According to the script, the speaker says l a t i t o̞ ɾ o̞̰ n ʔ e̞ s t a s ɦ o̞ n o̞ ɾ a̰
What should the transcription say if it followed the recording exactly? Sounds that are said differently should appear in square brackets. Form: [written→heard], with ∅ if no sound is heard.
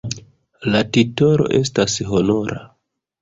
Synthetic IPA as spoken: l a t i t o̞ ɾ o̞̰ [n→∅] ʔ e̞ s t a s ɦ o̞ n o̞ ɾ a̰